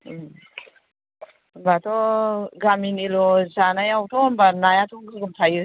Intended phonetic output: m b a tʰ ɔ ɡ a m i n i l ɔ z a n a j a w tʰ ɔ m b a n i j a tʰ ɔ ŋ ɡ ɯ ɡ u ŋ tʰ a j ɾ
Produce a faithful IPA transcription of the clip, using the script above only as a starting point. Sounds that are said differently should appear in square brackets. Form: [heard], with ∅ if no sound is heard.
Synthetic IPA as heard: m b a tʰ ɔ ɡ a m i n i l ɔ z a n a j a w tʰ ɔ m b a n [a] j a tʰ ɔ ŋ ɡ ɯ ɡ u [m] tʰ a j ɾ